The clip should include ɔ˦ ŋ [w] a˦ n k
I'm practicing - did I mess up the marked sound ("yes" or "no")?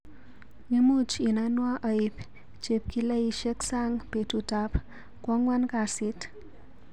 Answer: no